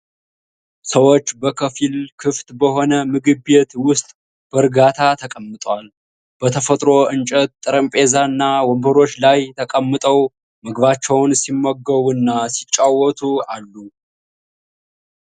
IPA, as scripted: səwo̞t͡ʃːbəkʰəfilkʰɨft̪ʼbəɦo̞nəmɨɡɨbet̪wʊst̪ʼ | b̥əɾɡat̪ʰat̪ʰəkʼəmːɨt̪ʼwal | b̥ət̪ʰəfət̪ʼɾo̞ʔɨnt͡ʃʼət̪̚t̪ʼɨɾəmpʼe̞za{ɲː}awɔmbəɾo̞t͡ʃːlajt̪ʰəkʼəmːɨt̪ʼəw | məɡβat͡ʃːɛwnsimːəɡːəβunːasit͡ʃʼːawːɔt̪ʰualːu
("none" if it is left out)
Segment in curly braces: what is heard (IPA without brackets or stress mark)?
nː